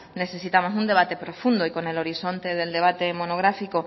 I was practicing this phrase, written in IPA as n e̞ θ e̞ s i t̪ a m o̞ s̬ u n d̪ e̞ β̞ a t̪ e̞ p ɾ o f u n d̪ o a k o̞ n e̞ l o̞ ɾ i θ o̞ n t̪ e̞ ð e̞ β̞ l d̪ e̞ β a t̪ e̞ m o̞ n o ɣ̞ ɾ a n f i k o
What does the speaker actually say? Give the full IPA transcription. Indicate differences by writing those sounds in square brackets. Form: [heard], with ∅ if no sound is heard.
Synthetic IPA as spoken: n e̞ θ e̞ s i t̪ a m o̞ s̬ u n d̪ e̞ β̞ a t̪ e̞ p ɾ o f u n d̪ o [i] k o̞ n e̞ l o̞ ɾ i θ o̞ n t̪ e̞ ð e̞ [∅] l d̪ e̞ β a t̪ e̞ m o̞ n o ɣ̞ ɾ a [∅] f i k o